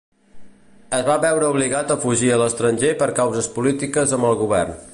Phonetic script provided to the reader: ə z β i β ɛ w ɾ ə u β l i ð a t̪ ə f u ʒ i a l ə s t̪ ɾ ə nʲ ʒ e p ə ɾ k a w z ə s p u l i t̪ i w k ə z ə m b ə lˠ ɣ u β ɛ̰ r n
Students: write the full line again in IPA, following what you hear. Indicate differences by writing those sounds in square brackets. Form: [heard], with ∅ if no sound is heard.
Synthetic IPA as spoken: ə z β [a] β ɛ w ɾ ə u β l i [ɣ] a t̪ ə f u ʒ i [ə] l ə s t̪ ɾ ə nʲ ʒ e p ə ɾ k a w z ə s p u l i t̪ i [∅] k ə z ə m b ə lˠ ɣ u β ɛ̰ r n

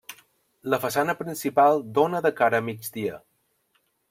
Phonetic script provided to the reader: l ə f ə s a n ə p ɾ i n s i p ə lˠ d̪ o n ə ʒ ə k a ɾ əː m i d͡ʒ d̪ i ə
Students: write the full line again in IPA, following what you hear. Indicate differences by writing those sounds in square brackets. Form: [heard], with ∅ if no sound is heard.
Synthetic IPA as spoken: l ə f ə s a n ə p ɾ i n s i p [a] lˠ d̪ o n ə [ð] ə k a ɾ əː m i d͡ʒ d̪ i ə

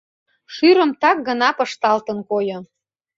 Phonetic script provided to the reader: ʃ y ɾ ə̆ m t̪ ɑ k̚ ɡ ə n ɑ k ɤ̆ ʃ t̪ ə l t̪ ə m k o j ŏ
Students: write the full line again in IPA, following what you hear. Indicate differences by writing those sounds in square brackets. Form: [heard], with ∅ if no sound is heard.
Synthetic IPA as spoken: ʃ y ɾ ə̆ m t̪ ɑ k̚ ɡ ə n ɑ [p] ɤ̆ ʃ t̪ [ɑ] l t̪ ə [n] k o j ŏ

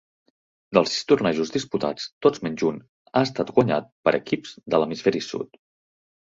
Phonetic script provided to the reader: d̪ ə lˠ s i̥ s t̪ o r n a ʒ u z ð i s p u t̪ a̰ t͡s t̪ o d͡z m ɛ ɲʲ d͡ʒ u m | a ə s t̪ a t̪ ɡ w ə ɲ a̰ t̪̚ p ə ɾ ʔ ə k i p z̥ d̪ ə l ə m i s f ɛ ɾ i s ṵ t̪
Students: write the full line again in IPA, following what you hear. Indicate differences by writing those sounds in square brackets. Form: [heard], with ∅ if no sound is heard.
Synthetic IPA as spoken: d̪ ə lˠ s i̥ s t̪ [u] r n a ʒ u z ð i s p u t̪ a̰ t͡s t̪ o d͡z m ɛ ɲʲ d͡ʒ u [n] | a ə s t̪ a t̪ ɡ w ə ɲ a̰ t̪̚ p ə ɾ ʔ ə k i p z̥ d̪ ə l ə m i s f ɛ ɾ i s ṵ t̪

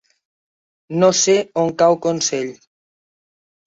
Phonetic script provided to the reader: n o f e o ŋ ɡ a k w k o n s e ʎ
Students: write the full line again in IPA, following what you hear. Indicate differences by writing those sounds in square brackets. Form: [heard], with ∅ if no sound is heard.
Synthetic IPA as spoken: n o [s] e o ŋ [k] a [∅] w k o n s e ʎ

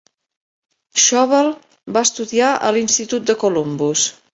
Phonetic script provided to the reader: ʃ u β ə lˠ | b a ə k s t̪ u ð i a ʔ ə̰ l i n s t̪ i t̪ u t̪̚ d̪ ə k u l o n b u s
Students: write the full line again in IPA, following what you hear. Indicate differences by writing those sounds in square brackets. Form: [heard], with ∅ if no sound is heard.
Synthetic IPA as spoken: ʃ [ɔ] β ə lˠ | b a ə [∅] s t̪ u ð i a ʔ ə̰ l i n s t̪ i t̪ u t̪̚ d̪ ə k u l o [m] b u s

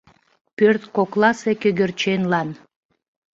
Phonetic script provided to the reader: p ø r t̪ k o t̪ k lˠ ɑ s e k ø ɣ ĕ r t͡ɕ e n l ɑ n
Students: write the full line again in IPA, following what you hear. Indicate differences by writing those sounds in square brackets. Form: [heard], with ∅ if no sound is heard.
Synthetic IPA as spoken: p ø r t̪ k o [∅] k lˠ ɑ s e k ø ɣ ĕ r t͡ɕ e n l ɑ n

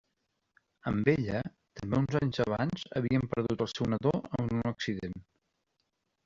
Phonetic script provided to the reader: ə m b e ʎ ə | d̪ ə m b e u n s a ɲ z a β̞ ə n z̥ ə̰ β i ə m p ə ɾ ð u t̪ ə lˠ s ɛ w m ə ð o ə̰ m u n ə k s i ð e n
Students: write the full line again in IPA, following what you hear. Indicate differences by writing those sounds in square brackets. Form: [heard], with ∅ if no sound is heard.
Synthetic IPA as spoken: ə m b e ʎ ə | [t̪] ə m b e u n [z] a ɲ z [ə] β̞ [a] n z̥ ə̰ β i ə m p ə ɾ ð u t̪ ə lˠ s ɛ w [n] ə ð o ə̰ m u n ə k s i ð e n

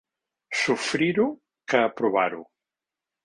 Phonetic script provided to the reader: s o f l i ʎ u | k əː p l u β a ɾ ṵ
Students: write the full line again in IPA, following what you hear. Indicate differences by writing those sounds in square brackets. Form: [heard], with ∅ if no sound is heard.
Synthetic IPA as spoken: s [u] f [ɾ] i [ɾ] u | k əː p [ɾ] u β a ɾ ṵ

